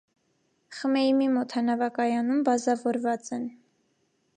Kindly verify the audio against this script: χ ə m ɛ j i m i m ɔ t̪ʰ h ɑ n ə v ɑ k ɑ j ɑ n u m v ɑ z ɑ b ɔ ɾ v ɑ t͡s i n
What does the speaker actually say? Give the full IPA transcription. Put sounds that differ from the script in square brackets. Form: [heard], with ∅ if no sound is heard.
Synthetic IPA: χ ə m ɛ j i m i m ɔ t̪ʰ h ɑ n [ɑ] v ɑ k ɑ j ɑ n u m [b] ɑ z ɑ [v] ɔ ɾ v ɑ t͡s [ɛ] n

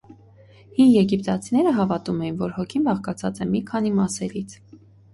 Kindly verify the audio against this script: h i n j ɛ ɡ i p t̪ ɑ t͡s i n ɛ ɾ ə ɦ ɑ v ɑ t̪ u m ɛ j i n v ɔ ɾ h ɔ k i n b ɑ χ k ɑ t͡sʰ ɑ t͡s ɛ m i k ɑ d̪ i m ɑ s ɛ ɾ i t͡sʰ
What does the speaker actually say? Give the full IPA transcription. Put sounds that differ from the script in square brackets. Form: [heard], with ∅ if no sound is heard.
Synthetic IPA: h i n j ɛ ɡ i p t̪ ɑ [t͡sʰ] i n ɛ ɾ ə ɦ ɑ v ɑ t̪ u m ɛ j i n v ɔ ɾ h ɔ [kʰ] i n b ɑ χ k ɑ t͡sʰ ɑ t͡s ɛ m i [kʰ] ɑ [n̪] i m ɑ s ɛ ɾ i t͡sʰ

